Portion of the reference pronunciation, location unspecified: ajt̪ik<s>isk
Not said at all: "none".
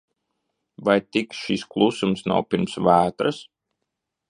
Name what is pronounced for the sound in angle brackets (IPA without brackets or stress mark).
ʃ